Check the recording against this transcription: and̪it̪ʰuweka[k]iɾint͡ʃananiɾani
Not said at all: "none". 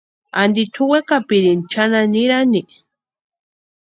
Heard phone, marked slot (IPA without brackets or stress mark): p